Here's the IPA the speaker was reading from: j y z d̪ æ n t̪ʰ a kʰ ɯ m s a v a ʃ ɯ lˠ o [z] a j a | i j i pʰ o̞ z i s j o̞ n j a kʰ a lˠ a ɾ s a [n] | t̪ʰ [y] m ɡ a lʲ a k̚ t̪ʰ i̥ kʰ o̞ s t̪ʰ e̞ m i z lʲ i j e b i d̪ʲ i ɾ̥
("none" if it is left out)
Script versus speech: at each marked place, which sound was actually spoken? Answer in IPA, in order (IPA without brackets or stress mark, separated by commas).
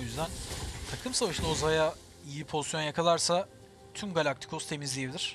z, none, y